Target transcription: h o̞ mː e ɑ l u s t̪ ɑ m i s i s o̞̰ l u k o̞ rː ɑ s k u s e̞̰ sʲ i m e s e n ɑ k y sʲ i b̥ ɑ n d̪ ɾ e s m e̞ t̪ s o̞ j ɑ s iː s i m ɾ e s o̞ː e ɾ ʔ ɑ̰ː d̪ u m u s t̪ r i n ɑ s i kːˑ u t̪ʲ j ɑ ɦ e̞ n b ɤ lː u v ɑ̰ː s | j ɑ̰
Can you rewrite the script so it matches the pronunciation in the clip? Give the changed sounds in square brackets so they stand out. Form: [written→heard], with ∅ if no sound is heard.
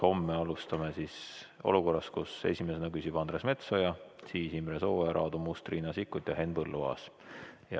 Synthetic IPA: h o̞ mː e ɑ l u s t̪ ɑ m [i→e] s i s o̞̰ l u k o̞ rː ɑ s k u s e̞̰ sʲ i m e s e n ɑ k y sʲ i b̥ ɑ n d̪ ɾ e s m e̞ t̪ s o̞ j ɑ s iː s i m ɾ e s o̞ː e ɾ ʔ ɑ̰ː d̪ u m u s t̪ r i n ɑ s i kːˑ u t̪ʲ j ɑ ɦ e̞ n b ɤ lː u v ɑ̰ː s | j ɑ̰